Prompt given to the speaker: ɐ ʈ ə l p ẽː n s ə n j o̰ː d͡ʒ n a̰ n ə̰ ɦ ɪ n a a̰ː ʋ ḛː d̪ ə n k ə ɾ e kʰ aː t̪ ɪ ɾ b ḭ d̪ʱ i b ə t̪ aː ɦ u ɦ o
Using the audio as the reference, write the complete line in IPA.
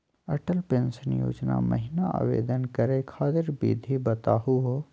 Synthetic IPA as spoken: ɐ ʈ ə l p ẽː n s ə n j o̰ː d͡ʒ n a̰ m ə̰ ɦ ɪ n a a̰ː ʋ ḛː d̪ ə n k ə ɾ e kʰ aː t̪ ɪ ɾ b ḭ d̪ʱ i b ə t̪ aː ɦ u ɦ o